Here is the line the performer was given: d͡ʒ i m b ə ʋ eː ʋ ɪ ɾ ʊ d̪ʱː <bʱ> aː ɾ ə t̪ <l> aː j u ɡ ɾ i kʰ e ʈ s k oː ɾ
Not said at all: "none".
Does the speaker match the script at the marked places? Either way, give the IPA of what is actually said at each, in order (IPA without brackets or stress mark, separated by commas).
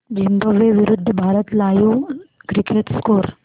bʱ, l